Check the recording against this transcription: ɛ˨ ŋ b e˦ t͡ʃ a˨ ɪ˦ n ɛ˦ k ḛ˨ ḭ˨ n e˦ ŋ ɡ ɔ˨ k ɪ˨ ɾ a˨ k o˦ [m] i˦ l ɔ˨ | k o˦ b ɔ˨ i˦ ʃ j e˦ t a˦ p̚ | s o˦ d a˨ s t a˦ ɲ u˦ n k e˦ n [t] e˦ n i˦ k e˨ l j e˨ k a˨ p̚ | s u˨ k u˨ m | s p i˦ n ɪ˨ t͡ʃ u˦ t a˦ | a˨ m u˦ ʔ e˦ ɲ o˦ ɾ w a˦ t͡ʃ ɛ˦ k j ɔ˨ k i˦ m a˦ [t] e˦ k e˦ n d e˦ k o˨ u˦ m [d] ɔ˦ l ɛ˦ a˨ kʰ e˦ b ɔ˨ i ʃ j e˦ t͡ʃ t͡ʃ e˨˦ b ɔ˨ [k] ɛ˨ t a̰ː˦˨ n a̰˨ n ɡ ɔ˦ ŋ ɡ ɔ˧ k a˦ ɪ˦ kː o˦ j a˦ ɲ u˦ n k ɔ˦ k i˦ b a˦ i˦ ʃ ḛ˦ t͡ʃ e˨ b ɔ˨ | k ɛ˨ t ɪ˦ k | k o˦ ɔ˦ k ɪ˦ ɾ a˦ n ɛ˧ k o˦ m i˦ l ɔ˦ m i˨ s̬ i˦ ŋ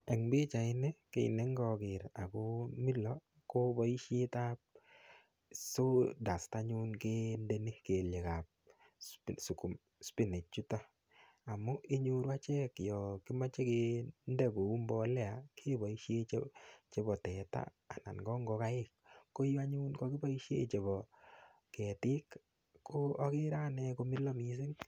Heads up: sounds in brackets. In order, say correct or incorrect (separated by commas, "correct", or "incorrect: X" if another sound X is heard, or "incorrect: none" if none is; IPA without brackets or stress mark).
correct, incorrect: d, incorrect: t͡ʃ, incorrect: b, incorrect: t